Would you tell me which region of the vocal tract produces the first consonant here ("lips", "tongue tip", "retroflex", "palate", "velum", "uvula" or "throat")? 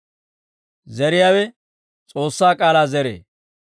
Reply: tongue tip